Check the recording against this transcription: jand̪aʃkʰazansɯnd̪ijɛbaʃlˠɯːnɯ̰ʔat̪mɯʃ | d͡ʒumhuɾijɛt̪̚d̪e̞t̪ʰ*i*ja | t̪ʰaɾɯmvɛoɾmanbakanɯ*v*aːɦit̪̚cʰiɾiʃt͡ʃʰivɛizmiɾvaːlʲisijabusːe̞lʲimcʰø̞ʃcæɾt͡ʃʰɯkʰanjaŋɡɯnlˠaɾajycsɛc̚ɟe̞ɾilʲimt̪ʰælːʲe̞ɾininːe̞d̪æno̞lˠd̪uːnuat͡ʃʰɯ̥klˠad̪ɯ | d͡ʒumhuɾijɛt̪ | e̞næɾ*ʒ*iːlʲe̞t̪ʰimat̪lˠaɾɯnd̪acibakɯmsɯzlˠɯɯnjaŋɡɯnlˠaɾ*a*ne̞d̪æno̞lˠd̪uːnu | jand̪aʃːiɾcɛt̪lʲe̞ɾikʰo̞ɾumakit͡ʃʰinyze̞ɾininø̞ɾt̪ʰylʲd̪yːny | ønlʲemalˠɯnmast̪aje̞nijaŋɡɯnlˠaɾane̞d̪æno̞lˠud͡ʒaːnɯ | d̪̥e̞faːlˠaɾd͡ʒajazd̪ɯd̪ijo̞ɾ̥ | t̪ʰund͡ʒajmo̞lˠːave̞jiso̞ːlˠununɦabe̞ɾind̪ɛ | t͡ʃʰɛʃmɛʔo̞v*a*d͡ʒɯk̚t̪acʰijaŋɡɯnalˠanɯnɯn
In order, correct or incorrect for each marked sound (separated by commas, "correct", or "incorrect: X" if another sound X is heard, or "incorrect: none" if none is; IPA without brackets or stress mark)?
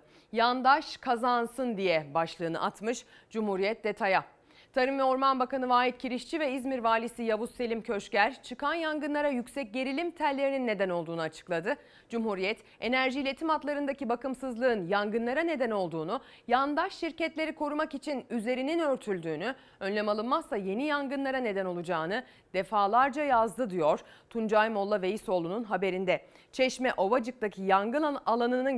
incorrect: a, correct, correct, correct, correct